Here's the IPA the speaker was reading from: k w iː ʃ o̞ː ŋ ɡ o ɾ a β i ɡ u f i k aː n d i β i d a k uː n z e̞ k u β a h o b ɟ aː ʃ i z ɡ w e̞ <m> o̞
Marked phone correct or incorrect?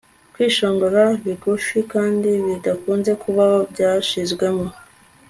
correct